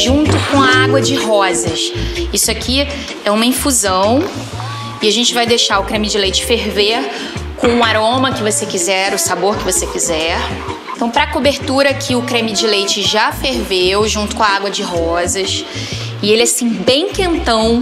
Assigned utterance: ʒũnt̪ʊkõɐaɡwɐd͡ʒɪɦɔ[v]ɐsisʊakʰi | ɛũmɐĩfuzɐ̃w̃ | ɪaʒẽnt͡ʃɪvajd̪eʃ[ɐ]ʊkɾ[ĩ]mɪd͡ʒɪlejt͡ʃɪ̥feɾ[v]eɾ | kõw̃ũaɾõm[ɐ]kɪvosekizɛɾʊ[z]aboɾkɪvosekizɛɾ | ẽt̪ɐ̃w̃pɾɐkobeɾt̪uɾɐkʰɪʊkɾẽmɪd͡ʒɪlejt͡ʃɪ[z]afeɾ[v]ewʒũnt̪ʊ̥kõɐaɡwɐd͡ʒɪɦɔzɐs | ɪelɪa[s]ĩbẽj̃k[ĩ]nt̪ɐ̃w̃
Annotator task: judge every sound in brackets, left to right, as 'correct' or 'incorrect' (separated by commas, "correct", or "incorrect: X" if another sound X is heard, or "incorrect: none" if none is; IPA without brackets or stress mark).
incorrect: z, incorrect: a, incorrect: ẽ, correct, correct, incorrect: s, incorrect: ʒ, correct, correct, incorrect: ẽ